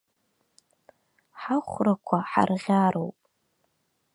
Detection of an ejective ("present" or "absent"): present